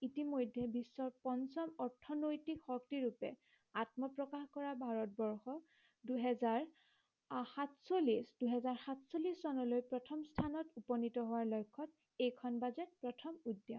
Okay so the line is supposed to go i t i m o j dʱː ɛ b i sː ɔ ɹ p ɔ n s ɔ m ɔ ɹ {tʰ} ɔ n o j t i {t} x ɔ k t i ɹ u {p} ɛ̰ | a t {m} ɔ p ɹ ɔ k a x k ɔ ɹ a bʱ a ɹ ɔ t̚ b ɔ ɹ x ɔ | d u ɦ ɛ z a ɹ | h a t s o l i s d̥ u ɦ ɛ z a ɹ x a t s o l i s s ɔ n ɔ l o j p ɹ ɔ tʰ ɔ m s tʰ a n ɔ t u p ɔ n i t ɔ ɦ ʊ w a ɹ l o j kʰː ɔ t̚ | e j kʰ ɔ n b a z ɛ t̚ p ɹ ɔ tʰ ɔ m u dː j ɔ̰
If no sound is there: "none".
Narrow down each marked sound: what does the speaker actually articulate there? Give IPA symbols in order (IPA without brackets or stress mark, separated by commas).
tʰ, k, p, m